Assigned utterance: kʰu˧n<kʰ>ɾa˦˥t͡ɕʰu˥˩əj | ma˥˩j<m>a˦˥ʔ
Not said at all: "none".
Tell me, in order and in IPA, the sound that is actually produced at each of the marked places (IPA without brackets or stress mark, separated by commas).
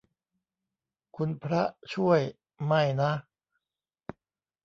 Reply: pʰ, n